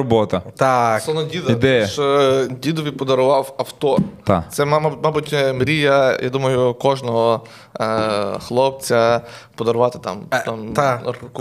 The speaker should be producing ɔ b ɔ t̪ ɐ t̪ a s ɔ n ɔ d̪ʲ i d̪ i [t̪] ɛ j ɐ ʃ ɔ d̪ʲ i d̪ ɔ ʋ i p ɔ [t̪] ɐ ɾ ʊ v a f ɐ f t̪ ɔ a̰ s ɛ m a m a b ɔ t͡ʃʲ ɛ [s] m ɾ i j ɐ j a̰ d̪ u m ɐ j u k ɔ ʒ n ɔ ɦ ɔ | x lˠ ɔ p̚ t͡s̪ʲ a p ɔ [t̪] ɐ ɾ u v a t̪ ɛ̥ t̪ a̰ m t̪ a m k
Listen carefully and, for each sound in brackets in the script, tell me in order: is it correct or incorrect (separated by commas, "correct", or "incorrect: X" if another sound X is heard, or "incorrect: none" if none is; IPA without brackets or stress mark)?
incorrect: d̪, incorrect: d̪, incorrect: none, incorrect: d̪